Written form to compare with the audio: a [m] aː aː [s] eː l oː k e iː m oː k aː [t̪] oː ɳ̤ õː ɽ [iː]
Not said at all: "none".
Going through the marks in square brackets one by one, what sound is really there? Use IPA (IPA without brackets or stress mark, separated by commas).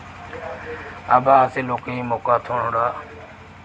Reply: b, s, t̪ʰ, aː